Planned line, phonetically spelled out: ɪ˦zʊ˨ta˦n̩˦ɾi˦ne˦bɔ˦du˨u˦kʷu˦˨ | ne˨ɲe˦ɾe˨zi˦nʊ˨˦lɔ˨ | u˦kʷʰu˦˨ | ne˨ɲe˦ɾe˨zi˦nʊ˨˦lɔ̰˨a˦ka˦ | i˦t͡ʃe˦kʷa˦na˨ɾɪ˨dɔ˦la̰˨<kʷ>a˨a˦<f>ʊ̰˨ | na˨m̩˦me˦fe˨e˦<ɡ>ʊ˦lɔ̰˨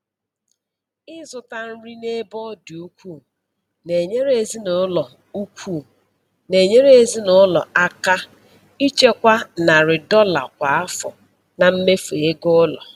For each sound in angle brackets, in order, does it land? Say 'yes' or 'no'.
yes, yes, yes

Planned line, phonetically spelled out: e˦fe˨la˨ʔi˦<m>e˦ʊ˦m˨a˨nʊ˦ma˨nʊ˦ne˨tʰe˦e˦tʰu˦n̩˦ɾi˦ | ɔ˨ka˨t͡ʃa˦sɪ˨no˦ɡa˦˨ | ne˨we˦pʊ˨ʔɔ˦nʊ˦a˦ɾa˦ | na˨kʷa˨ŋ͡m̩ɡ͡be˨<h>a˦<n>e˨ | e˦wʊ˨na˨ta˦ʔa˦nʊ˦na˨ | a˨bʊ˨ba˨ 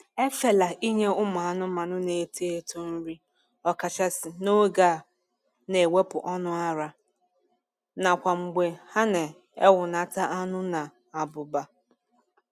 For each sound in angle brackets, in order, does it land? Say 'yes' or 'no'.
no, yes, yes

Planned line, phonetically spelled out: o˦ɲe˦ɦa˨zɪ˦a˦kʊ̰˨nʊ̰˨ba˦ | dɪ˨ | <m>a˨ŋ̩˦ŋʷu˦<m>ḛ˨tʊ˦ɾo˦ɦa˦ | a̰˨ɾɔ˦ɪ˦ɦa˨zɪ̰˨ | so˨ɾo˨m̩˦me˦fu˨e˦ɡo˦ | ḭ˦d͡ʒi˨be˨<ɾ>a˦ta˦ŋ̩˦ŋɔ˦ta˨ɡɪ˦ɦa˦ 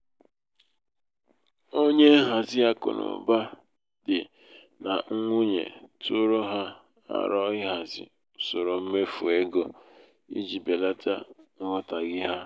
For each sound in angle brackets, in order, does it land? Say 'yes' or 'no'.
no, no, no

